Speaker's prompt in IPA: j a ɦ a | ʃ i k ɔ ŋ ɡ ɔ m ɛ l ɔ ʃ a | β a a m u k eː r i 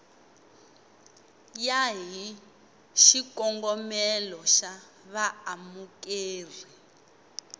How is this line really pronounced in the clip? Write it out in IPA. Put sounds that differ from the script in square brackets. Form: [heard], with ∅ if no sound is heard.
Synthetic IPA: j a ɦ [i] | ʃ i k ɔ ŋ ɡ ɔ m ɛ l ɔ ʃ a | β a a m u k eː r i